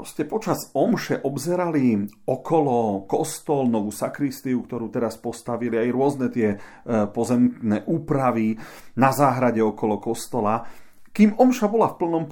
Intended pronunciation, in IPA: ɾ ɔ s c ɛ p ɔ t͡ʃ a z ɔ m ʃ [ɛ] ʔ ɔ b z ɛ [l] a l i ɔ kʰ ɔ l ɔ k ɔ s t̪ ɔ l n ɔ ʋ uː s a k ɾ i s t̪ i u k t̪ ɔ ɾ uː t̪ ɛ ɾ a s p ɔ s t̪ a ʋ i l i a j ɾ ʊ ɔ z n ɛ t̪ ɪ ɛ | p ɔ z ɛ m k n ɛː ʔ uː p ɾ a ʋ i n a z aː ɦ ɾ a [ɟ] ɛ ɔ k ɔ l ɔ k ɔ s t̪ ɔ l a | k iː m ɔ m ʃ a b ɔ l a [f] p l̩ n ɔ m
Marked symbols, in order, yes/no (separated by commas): yes, no, yes, yes